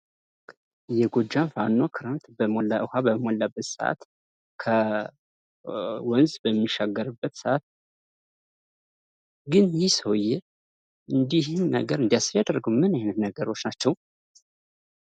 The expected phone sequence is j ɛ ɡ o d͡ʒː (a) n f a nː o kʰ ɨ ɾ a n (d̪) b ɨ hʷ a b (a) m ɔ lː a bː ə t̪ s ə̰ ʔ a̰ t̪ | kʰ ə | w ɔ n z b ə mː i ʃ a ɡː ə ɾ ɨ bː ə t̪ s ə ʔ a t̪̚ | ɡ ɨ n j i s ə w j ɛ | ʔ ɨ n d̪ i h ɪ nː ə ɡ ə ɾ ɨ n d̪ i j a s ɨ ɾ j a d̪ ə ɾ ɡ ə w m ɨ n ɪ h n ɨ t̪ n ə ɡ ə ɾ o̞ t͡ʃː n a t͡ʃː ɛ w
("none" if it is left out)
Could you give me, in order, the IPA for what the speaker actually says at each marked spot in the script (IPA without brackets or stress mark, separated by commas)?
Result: a, t̪, ə